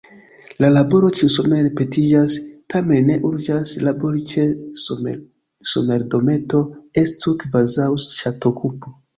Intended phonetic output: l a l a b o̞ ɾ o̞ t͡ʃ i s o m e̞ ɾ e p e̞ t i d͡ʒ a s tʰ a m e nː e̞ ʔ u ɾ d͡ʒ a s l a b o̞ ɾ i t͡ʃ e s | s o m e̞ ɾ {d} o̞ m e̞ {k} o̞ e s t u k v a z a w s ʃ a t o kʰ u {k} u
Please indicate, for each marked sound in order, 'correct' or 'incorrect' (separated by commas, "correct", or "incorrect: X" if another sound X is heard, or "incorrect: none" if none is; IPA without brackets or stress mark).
correct, incorrect: t, incorrect: p